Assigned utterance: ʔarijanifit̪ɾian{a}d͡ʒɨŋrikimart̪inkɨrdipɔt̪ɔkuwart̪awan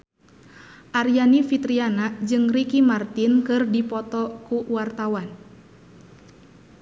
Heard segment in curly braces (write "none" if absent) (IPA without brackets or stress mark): a